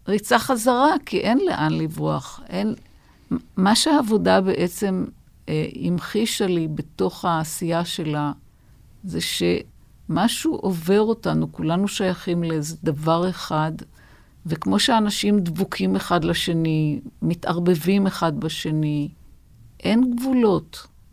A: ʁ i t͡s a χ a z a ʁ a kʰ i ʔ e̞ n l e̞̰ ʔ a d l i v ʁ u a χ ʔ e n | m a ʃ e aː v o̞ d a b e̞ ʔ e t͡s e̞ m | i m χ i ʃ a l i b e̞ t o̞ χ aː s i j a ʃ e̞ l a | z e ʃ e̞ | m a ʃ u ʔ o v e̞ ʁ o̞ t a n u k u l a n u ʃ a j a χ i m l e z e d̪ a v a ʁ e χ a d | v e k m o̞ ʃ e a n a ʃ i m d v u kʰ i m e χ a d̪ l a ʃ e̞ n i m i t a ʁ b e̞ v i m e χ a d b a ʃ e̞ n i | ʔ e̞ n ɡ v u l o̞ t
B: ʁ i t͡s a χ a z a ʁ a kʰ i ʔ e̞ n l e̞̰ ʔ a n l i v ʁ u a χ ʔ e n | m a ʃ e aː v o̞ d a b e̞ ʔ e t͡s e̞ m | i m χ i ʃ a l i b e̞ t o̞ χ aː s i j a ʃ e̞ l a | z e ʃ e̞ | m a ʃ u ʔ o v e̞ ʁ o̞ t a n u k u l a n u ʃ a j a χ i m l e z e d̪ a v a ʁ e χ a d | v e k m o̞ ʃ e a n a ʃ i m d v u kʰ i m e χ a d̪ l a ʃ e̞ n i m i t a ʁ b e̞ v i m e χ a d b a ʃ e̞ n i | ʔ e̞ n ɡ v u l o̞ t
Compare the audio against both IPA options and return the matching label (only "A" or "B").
B